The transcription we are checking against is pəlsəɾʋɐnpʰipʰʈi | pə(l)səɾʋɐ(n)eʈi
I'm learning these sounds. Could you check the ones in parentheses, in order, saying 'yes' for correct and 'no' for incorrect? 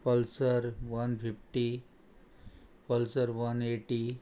yes, yes

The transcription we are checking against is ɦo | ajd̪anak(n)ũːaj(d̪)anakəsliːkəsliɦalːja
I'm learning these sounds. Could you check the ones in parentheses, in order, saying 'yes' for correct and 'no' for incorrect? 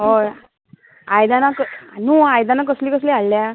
yes, yes

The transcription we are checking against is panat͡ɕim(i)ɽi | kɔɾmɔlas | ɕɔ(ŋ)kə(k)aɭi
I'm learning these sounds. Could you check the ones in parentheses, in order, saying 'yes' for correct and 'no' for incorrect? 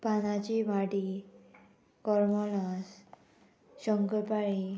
no, yes, no

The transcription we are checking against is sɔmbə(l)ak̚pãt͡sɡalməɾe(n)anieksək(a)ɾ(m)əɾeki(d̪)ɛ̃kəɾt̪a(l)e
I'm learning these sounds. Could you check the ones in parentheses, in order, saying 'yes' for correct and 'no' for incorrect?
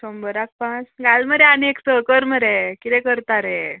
no, no, no, yes, no, no

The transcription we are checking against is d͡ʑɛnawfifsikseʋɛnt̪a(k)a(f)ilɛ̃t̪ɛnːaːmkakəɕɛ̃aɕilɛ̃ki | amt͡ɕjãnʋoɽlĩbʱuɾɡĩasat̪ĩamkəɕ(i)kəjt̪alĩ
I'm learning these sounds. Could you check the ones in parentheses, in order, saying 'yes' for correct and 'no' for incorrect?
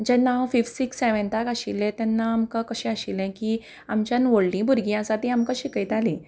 yes, no, yes

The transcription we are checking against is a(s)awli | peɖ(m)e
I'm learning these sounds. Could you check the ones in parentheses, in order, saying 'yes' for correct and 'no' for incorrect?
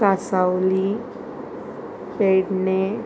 yes, no

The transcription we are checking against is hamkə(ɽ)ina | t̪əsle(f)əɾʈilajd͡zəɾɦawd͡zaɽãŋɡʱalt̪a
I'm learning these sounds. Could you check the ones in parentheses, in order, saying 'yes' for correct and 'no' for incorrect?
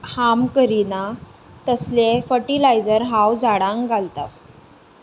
no, yes

